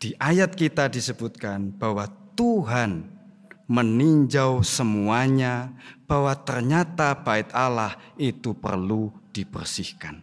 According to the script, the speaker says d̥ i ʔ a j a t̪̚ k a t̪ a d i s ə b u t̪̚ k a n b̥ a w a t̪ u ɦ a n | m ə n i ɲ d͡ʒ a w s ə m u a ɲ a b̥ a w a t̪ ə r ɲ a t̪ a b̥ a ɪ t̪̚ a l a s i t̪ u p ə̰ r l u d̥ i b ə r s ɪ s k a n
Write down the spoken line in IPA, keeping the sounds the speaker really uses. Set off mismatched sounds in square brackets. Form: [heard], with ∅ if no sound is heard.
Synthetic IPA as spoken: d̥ i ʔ a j a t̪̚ k [i] t̪ a d i s ə b u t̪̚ k a n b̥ a w a t̪ u ɦ a n | m ə n i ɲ d͡ʒ a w s ə m u a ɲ a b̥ a w a t̪ ə r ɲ a t̪ a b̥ a ɪ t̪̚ a l a [h] i t̪ u p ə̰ r l u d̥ i b ə r s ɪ [h] k a n